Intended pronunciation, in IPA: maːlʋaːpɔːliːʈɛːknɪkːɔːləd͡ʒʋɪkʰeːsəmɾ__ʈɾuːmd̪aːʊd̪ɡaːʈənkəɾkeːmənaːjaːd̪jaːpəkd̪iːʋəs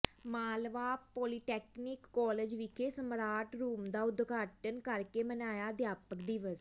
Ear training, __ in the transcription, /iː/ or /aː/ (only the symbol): aː